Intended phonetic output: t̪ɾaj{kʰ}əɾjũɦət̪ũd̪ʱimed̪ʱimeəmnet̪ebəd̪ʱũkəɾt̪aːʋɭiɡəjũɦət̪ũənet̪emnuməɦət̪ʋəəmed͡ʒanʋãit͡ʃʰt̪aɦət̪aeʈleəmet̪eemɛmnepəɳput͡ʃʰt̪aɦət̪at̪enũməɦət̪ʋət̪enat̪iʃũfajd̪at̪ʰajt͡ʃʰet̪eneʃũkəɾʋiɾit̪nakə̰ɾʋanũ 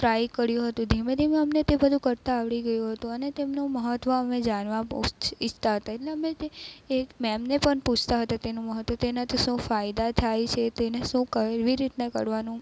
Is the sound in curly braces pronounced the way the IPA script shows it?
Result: no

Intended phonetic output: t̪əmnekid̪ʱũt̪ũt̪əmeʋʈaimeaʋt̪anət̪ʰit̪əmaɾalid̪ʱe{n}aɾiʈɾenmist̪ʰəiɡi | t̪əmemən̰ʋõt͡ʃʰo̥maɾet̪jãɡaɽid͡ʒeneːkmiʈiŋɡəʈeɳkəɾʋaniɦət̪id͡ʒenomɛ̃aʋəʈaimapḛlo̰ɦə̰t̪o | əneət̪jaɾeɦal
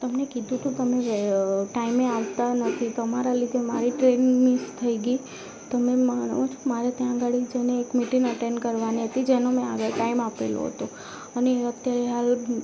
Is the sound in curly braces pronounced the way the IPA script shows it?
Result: no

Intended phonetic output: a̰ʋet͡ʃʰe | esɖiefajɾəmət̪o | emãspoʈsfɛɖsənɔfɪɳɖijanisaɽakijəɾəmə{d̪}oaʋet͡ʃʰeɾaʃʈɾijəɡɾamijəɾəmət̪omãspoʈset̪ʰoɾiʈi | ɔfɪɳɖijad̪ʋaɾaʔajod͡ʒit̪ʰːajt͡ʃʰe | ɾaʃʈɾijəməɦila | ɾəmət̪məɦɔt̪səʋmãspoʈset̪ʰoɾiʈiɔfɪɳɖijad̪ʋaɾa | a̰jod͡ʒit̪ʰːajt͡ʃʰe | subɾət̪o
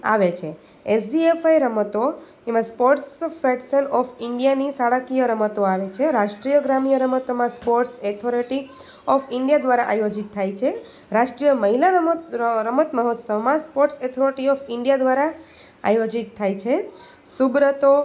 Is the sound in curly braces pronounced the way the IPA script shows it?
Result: no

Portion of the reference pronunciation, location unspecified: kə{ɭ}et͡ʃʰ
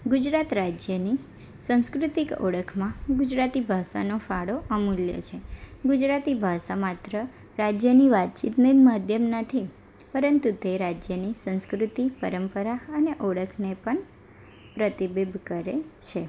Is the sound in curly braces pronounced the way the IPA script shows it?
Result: no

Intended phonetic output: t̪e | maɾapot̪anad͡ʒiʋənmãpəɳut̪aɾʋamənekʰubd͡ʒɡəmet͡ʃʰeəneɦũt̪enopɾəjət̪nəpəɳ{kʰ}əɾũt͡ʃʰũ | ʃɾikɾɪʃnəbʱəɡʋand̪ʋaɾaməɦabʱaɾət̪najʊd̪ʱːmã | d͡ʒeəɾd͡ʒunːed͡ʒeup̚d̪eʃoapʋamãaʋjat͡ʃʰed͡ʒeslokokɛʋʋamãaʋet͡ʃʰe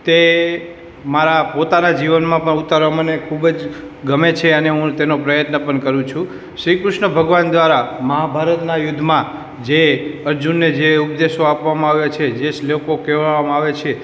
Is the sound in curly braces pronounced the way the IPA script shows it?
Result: no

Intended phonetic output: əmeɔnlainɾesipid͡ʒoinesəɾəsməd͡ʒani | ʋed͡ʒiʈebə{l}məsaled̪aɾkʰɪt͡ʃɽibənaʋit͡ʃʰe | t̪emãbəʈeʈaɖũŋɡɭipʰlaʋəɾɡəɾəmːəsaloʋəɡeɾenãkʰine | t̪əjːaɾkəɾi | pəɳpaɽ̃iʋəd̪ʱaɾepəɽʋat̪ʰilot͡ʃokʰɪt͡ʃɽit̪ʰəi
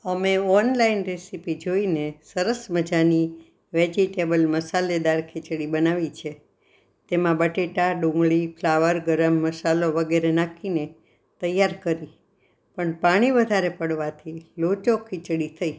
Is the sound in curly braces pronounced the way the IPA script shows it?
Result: yes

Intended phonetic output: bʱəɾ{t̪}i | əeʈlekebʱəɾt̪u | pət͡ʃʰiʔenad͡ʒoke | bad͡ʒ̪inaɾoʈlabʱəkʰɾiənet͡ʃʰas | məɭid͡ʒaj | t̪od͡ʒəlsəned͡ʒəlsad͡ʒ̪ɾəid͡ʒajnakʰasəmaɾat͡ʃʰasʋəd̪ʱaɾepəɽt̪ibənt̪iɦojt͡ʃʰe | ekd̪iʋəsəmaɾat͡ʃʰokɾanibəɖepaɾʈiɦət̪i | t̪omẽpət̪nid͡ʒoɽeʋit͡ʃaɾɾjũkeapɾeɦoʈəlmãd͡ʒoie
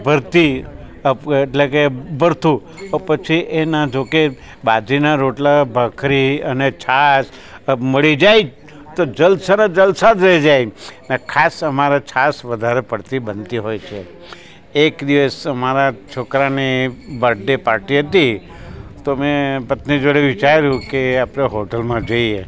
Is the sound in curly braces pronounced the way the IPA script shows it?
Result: yes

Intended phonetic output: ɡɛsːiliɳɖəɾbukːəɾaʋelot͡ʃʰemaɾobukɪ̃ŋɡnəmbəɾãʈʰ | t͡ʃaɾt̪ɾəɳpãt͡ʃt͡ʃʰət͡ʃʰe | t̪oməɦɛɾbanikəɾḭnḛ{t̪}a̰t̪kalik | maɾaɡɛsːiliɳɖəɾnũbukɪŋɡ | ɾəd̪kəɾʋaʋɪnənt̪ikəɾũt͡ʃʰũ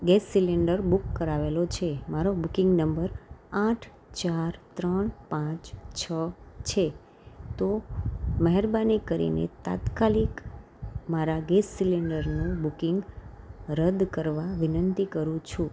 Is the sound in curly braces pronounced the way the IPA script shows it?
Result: yes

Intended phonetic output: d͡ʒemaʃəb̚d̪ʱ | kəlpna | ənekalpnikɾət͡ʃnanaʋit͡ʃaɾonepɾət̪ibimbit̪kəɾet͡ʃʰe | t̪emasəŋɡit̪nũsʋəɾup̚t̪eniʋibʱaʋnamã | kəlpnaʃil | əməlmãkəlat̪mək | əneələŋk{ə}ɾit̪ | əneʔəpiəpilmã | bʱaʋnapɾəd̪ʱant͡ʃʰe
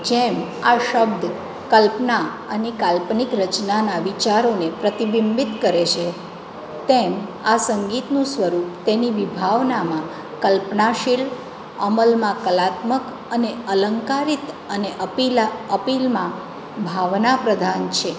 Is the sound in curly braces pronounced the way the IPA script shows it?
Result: no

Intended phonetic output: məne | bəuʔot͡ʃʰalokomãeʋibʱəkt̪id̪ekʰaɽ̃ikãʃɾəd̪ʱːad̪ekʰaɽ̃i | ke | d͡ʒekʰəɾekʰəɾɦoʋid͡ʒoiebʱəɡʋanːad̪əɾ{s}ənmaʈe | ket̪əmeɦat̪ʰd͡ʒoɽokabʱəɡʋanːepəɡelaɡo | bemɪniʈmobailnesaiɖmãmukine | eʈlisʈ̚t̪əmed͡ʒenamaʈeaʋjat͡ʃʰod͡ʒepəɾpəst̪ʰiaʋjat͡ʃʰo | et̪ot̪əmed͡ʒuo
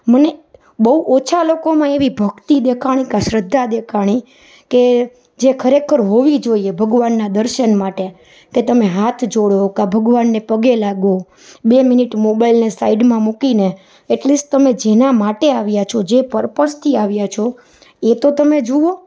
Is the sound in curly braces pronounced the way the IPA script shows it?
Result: no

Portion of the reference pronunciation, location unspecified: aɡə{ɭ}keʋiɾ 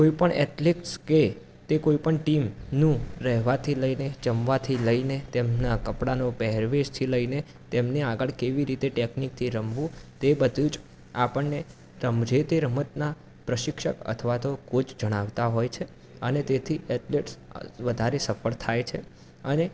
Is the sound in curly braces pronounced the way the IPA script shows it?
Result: yes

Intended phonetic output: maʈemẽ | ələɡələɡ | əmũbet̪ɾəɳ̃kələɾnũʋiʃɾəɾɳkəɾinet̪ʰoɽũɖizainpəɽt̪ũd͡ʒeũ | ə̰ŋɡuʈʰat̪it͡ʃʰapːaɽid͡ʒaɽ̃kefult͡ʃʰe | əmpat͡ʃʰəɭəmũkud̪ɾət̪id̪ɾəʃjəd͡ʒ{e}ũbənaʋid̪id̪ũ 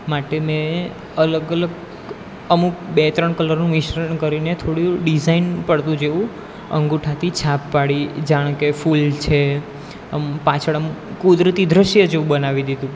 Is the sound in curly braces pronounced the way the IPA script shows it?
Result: yes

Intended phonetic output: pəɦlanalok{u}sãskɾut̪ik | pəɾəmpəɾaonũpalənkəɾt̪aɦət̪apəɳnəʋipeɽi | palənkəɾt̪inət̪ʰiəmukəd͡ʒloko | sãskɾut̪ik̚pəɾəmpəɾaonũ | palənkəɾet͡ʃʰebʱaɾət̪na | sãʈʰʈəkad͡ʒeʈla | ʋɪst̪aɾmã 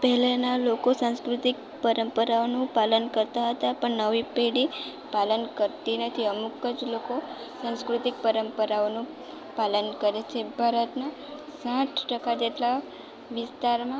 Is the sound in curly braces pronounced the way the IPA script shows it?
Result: no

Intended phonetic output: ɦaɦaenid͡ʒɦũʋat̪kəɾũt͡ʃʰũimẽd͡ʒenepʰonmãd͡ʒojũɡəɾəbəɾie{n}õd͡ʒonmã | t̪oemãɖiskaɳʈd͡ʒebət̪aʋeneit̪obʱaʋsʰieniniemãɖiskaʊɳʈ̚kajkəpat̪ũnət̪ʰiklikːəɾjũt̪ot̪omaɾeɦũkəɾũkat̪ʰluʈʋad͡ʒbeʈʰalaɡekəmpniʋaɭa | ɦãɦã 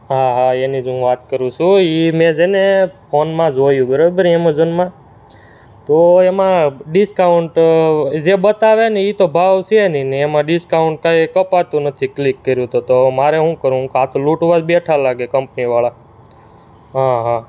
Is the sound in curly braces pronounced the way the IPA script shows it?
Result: no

